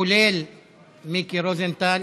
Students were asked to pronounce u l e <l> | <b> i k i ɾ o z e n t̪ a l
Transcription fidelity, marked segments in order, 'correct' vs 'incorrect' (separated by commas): correct, incorrect